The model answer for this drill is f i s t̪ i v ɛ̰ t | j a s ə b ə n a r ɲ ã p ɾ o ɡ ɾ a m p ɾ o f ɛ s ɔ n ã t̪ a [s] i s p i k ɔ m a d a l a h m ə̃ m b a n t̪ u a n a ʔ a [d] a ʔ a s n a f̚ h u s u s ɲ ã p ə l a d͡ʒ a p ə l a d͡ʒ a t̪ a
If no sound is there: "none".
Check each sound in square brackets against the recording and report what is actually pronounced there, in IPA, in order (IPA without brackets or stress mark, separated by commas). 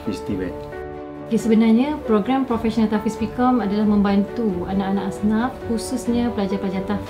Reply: f, n